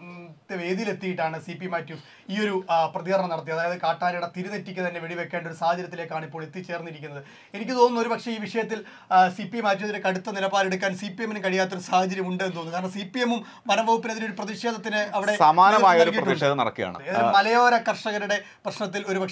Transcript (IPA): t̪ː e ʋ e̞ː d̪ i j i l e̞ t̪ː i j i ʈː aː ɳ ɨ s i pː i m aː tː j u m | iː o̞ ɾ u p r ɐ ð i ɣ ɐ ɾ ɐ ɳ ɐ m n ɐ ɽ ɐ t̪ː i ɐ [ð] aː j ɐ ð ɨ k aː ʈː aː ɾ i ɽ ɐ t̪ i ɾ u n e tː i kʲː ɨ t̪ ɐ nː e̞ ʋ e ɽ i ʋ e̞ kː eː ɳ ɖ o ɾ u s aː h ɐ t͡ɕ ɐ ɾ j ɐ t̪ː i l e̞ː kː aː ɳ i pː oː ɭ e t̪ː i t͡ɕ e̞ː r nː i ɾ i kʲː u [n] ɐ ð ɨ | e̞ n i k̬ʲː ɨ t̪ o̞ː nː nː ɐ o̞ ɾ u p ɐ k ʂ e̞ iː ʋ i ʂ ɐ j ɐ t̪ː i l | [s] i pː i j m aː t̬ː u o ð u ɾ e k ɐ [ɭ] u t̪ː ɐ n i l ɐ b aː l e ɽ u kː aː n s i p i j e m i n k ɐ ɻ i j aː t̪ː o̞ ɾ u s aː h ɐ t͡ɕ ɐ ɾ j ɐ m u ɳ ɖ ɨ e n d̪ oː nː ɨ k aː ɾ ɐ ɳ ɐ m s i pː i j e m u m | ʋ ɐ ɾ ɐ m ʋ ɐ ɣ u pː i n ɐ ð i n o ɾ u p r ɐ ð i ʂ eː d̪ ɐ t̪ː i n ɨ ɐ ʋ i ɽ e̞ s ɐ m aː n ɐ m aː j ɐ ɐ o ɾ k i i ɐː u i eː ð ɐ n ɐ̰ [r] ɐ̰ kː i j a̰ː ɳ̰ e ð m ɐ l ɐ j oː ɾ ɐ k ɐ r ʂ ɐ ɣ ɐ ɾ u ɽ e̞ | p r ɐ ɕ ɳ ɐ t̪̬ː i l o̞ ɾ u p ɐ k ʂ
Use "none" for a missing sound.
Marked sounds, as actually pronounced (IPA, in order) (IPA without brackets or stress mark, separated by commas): ð, nː, s, ɽ, ɽ